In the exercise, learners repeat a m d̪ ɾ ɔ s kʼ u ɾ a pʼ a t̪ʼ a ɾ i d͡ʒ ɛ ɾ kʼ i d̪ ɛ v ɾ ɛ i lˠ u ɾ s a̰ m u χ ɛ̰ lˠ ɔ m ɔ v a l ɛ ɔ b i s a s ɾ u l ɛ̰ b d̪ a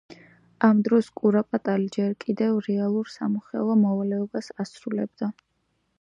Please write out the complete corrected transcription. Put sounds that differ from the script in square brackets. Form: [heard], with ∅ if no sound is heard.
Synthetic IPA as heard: a m d̪ ɾ ɔ s kʼ u ɾ a pʼ a t̪ʼ a [l] i d͡ʒ ɛ ɾ kʼ i d̪ ɛ v ɾ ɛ [a] lˠ u ɾ s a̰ m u χ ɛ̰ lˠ ɔ m ɔ v a l ɛ ɔ b [a] s a s ɾ u l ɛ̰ b d̪ a